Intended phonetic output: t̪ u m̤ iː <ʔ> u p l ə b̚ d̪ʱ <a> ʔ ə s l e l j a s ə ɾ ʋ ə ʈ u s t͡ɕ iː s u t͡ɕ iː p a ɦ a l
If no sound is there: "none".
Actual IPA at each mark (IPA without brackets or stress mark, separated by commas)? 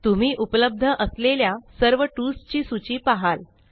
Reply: ʔ, ə